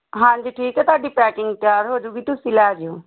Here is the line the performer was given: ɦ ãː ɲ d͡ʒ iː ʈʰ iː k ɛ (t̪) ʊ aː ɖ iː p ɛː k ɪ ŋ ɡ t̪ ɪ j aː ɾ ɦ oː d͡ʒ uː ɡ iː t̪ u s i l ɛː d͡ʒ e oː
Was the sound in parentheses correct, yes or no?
yes